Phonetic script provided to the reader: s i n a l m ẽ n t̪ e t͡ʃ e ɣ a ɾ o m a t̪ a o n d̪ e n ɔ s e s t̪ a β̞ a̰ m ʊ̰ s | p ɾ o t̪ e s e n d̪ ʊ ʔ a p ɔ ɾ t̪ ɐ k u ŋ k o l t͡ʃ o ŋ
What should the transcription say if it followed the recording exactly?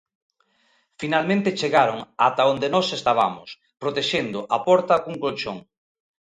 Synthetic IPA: f i n a l m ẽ n t̪ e t͡ʃ e ɣ a ɾ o ŋ a t̪ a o n d̪ e n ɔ s e s t̪ a β̞ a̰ m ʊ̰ s | p ɾ o t̪ e ʃ e n d̪ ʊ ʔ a p ɔ ɾ t̪ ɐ k u ŋ k o l t͡ʃ o ŋ